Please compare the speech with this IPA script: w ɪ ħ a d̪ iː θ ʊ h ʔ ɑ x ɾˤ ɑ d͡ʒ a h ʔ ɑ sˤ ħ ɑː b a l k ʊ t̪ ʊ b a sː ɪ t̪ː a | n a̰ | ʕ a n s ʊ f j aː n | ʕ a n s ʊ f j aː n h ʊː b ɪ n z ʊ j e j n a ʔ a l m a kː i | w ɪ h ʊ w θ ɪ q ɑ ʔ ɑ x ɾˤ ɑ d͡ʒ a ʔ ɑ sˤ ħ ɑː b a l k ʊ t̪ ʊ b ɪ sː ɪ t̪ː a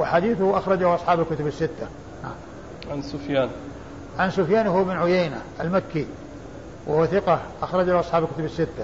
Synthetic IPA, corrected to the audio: w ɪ ħ a d̪ iː θ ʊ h ʔ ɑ x ɾˤ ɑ d͡ʒ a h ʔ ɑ sˤ ħ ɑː b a l k ʊ t̪ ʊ b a sː ɪ t̪ː a | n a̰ | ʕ a n s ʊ f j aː n | ʕ a n s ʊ f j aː n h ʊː b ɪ n ʕ ʊ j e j n a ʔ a l m a kː i | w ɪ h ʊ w θ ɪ q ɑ ʔ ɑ x ɾˤ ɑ d͡ʒ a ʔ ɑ sˤ ħ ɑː b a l k ʊ t̪ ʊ b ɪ sː ɪ t̪ː a